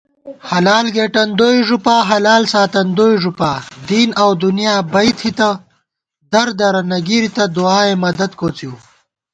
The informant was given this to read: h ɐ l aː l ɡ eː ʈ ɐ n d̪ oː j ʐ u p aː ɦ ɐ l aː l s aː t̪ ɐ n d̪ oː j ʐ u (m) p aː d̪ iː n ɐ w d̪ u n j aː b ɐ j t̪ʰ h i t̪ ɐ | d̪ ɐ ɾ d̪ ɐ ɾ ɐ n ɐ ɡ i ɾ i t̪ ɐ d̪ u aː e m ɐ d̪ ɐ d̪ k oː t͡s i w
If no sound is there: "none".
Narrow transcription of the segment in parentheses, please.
none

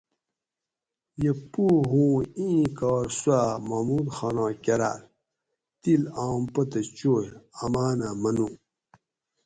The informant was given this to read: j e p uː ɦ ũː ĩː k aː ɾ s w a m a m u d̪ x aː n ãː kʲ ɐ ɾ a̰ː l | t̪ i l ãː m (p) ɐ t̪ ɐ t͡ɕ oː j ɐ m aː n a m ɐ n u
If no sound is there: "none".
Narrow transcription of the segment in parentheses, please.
p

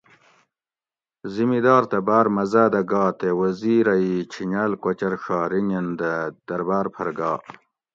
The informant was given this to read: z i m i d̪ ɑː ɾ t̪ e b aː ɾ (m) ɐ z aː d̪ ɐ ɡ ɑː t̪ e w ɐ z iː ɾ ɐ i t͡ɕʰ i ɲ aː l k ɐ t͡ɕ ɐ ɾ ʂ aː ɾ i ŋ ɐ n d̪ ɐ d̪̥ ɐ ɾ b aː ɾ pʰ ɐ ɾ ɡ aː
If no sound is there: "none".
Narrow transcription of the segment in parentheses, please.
m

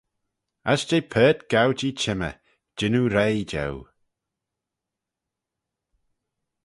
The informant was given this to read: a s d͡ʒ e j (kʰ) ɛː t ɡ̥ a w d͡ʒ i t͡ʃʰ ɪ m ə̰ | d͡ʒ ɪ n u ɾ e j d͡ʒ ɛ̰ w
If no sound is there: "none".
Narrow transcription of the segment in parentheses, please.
pʰ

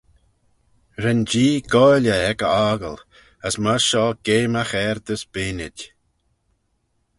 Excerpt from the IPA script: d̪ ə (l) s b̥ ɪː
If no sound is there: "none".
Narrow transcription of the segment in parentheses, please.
none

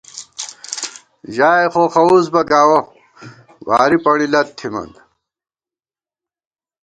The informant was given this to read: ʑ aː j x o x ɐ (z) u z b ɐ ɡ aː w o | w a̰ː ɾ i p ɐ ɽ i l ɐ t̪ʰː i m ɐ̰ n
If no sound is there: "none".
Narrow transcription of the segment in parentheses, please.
none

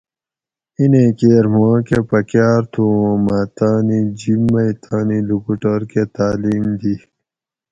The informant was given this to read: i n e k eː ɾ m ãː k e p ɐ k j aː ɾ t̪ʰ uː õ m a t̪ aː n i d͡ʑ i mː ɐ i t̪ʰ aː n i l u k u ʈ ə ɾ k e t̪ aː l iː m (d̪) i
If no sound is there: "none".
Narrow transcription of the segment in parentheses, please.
d̪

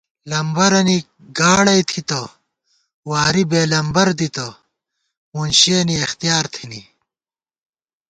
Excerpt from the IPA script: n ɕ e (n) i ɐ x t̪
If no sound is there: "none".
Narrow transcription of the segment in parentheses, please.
n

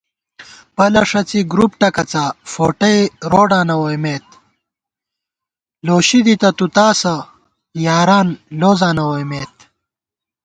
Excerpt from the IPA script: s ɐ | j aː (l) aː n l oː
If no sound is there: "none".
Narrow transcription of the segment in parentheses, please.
ɾ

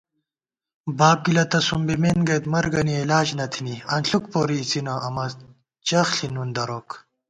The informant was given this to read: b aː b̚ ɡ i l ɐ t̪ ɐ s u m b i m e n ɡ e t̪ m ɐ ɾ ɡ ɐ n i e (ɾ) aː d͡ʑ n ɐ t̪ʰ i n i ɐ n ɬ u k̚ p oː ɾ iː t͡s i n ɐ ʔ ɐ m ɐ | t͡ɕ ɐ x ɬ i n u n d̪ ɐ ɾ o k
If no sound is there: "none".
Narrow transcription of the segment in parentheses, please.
l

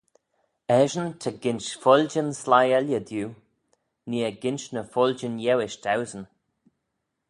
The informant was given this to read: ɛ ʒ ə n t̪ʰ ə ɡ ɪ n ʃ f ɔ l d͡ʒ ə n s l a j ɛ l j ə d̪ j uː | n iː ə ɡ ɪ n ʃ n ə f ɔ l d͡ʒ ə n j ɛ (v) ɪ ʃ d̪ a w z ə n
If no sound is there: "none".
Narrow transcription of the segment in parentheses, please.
w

